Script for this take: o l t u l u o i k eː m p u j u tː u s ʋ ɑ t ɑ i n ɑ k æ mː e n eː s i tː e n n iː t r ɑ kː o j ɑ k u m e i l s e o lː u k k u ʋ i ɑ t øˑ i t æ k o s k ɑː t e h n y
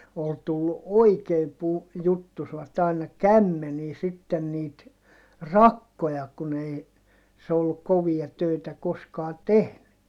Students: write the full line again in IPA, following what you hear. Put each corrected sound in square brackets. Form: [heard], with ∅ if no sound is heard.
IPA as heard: o l t u [lː] u o i k eː m p u j u tː u s ʋ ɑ t ɑ i n ɑ k æ mː e n [iː] s i tː e n n iː t r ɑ kː o j ɑ k u [n] e i [∅] s e o lː u k k [o] ʋ i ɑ t øˑ i t æ k o s k ɑː t e h n y

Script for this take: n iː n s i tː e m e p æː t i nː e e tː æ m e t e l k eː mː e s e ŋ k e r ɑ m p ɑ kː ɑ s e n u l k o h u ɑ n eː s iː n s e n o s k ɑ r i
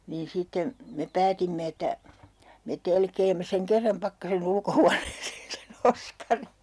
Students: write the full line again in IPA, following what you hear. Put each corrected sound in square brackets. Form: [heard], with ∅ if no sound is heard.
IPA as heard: n iː n s i tː e m e p æː t i [mː] e e tː æ m e t e l k eː mː e s e ŋ k e [rː] ɑ m p ɑ kː ɑ s e n u l k o h u ɑ n eː s [eː] n s e n o s k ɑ r i

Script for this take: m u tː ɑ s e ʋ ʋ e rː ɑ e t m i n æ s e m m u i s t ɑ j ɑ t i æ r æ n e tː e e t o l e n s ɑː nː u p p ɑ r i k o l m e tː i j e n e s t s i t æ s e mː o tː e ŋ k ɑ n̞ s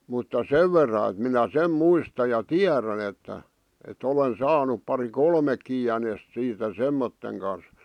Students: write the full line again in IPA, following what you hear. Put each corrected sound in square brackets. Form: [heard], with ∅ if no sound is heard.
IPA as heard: m u tː ɑ s e ʋ ʋ e rː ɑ e t m i n æ s e m m u i s t ɑ j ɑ t i æ r æ n e tː [æ] e t o l e n s ɑː [n] u p p ɑ r i k o l m e [kː] i j [æ] n e s t s [iː] t æ s e mː o tː e ŋ k ɑ n̞ s

